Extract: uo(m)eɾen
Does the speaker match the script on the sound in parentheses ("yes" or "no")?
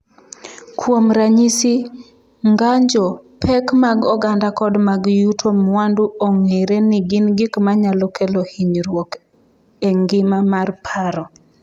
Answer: no